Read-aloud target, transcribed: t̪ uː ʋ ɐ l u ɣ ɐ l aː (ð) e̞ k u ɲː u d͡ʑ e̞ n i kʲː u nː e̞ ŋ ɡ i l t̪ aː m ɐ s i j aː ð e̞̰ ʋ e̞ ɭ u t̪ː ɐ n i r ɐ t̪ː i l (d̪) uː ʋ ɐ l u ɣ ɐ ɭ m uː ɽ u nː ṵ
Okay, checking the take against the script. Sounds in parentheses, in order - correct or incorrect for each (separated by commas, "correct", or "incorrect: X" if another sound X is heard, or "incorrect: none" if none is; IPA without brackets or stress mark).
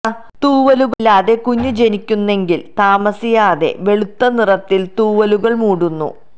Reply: correct, incorrect: t̪